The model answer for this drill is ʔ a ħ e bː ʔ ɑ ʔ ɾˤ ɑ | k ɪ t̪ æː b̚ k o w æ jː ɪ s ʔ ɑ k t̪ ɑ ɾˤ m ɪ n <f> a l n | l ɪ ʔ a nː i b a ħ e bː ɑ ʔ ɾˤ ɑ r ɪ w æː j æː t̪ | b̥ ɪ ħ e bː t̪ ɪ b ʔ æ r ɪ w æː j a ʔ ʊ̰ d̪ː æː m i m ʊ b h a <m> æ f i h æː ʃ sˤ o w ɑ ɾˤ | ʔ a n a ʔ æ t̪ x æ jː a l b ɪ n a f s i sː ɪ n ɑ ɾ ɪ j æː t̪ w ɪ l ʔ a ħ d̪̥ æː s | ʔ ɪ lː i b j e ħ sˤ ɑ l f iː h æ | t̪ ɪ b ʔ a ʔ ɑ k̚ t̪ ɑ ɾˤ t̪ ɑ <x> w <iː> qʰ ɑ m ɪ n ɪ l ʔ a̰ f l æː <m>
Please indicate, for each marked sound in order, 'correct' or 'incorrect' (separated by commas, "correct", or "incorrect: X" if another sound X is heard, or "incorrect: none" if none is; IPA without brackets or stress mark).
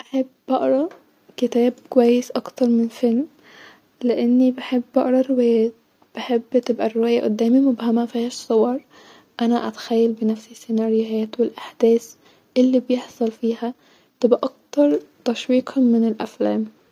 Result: correct, correct, incorrect: ʃ, correct, correct